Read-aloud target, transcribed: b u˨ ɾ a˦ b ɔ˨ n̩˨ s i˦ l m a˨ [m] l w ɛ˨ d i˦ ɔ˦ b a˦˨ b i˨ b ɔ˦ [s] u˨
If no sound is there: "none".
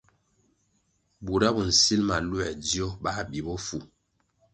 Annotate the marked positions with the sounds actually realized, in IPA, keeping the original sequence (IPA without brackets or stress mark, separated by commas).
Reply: none, f